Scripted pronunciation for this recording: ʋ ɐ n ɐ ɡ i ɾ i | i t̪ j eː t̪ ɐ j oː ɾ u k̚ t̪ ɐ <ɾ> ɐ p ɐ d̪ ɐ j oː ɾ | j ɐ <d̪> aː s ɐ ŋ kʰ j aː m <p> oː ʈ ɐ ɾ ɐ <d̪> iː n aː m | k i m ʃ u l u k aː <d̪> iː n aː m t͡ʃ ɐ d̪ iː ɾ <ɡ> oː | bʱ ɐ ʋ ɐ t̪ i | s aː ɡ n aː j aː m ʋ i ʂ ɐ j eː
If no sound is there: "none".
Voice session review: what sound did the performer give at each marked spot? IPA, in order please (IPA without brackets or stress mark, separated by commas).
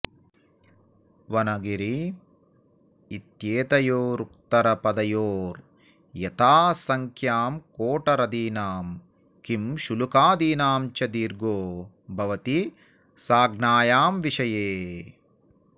ɾ, t̪, k, d̪, d̪, ɡ